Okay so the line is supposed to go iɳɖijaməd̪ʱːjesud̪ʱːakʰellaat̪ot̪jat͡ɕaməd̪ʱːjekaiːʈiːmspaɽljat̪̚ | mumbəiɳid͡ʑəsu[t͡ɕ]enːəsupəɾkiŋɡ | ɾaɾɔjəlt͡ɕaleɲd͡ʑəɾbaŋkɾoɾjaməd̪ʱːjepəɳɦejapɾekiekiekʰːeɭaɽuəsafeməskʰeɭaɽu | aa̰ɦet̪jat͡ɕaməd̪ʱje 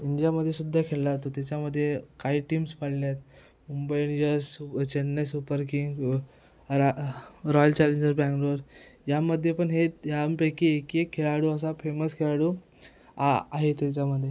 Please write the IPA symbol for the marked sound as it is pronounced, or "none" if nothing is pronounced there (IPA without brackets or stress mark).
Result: t͡ɕ